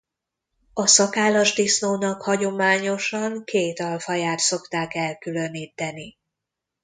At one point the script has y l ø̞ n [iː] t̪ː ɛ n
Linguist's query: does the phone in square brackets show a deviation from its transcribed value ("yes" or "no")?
no